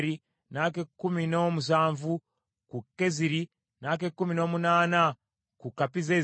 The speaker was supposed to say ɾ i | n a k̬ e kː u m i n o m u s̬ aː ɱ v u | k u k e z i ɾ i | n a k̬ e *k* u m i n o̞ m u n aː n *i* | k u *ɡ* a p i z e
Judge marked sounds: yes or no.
yes, no, no

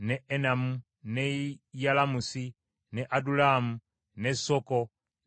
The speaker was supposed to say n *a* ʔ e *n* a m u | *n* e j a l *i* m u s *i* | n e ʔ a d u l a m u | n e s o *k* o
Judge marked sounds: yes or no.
no, yes, yes, no, yes, yes

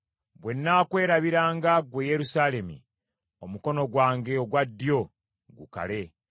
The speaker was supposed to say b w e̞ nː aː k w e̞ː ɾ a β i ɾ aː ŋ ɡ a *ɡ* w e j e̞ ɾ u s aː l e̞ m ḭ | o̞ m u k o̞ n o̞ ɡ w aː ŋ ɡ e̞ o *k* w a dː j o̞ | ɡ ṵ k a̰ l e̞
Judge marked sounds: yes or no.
yes, no

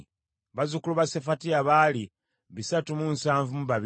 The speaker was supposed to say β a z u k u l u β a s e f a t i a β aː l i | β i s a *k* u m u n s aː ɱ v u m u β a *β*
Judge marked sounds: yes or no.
no, yes

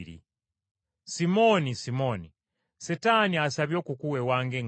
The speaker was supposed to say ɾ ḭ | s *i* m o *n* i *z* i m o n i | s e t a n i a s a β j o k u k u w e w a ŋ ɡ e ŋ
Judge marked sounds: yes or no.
yes, yes, no

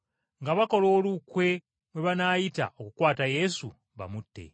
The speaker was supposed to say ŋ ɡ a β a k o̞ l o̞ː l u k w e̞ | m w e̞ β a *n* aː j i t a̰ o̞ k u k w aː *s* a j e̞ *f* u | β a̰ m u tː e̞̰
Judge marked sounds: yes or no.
yes, no, no

